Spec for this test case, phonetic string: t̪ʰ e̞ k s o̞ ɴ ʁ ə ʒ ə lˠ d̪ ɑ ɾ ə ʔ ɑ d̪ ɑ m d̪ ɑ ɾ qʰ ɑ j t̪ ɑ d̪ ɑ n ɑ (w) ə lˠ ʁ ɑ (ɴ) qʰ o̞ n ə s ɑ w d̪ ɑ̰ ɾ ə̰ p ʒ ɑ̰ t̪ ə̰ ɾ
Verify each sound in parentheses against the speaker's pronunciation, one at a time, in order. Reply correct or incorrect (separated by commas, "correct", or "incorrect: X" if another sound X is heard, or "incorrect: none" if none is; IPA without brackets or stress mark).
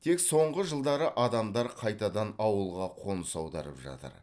correct, incorrect: none